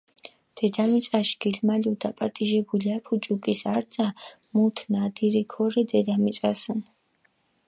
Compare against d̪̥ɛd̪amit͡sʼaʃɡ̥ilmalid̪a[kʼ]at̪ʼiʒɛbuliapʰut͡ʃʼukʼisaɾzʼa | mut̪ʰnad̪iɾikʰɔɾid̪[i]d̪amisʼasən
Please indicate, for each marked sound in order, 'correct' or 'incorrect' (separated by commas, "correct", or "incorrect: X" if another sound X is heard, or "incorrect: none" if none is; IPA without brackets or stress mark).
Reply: incorrect: pʼ, incorrect: ɛ